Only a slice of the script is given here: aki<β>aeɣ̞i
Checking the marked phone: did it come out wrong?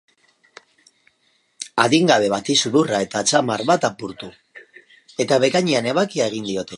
yes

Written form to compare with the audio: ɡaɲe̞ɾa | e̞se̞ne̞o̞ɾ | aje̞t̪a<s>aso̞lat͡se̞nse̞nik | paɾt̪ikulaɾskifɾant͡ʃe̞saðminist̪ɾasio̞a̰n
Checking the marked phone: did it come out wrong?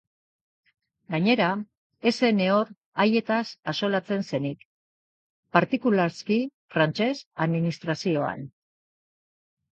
no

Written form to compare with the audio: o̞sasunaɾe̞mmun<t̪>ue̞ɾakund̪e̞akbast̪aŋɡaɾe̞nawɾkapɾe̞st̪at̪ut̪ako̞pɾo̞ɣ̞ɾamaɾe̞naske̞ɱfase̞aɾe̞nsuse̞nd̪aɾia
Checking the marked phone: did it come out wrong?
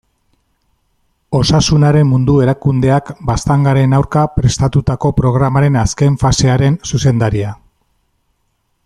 yes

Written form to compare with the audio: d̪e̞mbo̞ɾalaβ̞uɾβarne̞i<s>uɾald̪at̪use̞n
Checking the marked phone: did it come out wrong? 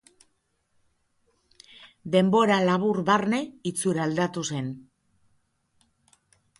yes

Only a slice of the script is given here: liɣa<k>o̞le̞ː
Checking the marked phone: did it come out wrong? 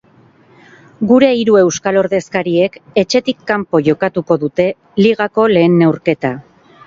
no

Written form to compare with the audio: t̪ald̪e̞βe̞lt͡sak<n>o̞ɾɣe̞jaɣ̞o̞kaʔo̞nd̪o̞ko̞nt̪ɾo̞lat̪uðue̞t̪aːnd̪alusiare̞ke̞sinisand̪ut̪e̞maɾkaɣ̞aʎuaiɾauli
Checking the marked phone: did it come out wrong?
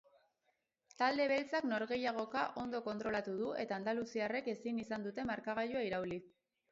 no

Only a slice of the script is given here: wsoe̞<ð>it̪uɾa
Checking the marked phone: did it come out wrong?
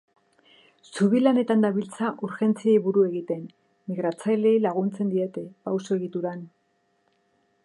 yes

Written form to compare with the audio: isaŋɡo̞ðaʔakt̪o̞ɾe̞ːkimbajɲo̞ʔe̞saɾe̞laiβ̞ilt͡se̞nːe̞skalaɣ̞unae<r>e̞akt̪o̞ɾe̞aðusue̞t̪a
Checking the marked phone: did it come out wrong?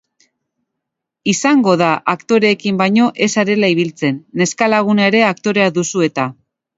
yes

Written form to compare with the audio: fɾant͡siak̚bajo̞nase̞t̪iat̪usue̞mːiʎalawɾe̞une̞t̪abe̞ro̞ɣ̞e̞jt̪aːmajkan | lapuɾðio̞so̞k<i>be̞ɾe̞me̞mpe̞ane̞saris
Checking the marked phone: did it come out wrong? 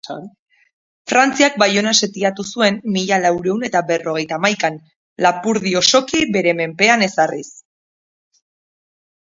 no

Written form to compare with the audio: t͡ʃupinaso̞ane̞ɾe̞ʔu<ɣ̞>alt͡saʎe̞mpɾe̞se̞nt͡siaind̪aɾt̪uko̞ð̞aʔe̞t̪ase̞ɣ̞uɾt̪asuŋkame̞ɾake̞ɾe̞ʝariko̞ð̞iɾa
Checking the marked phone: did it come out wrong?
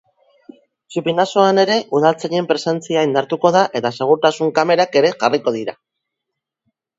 yes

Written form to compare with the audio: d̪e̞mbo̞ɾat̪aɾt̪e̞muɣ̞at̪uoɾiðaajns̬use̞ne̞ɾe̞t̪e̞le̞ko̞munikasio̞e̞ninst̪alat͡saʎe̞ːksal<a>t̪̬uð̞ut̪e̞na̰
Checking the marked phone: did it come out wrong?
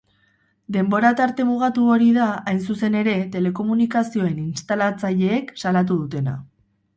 no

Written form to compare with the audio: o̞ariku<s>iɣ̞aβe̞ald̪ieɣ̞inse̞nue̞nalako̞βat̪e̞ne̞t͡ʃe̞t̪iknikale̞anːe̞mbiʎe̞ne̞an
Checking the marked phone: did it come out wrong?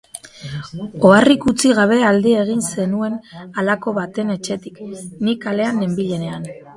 yes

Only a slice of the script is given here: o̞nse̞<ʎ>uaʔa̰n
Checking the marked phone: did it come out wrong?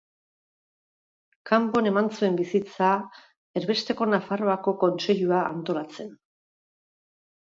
no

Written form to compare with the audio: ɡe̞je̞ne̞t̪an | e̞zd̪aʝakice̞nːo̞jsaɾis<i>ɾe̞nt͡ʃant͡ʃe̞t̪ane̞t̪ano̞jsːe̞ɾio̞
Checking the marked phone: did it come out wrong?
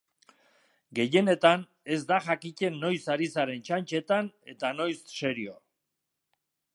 yes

